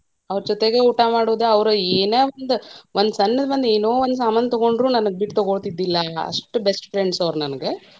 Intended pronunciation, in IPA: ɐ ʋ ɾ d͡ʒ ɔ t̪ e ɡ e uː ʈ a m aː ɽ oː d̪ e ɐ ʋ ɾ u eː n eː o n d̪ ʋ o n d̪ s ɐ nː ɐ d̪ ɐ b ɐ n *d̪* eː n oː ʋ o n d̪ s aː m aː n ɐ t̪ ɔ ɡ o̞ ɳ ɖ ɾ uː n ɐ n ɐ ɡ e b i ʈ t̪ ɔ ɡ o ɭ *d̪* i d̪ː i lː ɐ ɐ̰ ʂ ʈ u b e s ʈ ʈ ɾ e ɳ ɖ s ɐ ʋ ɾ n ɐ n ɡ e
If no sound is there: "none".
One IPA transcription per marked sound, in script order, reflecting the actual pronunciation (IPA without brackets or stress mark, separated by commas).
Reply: d̪, t̪